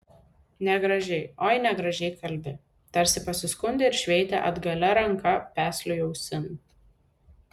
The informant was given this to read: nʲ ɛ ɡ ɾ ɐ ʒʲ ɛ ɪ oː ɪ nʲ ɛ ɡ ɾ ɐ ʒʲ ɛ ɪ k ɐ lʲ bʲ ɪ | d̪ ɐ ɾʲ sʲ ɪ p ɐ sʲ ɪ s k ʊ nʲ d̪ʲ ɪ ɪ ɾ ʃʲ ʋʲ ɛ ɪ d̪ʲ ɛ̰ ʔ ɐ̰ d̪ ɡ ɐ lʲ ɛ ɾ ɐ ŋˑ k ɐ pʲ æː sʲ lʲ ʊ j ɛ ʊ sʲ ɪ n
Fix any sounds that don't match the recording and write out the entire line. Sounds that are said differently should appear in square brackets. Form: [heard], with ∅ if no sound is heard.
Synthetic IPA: nʲ ɛ ɡ ɾ ɐ ʒʲ ɛ ɪ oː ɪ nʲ ɛ ɡ ɾ ɐ ʒʲ ɛ ɪ k ɐ lʲ bʲ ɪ | [t̪] ɐ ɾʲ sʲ ɪ p ɐ sʲ ɪ s k ʊ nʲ d̪ʲ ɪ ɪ ɾ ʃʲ ʋʲ ɛ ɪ [t̪ʲ] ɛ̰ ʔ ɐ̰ d̪ ɡ ɐ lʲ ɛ ɾ ɐ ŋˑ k ɐ pʲ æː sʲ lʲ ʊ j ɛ ʊ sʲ ɪ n